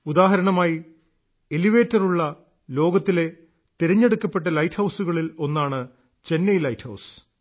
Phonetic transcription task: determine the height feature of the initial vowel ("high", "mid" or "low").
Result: high